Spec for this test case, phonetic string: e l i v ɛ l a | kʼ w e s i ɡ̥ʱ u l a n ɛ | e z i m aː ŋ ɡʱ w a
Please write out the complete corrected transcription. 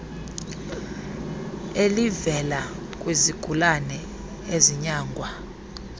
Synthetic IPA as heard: e l i v ɛ l a | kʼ w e z i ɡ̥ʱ u l a n ɛ | e z i ɲ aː ŋ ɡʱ w a